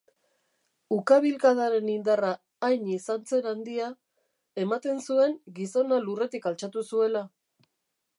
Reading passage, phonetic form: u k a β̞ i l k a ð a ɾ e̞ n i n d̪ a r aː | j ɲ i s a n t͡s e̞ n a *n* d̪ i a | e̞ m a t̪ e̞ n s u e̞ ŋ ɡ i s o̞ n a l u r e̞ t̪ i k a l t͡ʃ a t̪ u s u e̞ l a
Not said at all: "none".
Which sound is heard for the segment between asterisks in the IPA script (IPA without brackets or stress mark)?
n